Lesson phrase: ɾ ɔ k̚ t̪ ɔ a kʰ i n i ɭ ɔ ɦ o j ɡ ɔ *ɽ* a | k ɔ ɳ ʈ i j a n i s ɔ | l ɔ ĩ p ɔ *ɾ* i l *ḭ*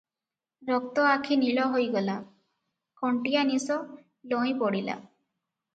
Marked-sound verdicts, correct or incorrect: incorrect: l, incorrect: ɽ, incorrect: a̰

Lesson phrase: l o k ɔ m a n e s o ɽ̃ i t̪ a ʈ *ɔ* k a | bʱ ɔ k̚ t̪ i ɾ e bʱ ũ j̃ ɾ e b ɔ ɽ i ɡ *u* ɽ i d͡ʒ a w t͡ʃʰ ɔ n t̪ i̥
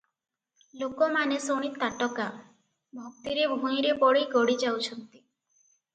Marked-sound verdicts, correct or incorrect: correct, incorrect: ɔ

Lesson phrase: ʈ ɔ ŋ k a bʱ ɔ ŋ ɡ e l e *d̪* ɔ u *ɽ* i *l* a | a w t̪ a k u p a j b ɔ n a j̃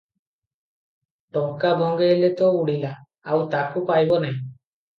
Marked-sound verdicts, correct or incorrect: incorrect: t̪, correct, correct

